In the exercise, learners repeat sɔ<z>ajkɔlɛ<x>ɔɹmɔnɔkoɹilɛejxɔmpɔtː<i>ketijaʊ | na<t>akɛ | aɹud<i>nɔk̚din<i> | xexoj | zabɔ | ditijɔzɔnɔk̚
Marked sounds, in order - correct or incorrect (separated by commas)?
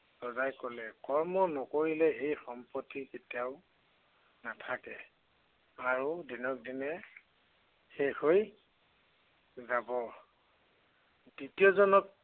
correct, incorrect, correct, incorrect, correct, incorrect